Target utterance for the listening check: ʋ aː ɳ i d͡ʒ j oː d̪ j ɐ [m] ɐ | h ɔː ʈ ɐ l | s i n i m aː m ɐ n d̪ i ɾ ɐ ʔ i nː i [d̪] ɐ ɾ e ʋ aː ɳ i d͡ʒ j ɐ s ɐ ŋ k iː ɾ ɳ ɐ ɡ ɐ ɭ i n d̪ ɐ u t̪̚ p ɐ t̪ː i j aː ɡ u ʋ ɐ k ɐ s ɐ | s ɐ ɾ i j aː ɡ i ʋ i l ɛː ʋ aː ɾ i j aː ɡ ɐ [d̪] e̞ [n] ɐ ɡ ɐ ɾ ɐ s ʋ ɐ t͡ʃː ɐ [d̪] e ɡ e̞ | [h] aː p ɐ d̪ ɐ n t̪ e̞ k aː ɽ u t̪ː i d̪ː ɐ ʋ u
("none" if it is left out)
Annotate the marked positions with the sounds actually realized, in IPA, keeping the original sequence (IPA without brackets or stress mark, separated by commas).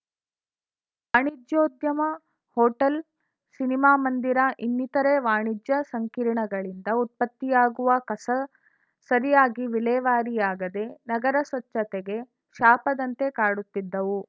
m, t̪, d̪, n, t̪, ʃ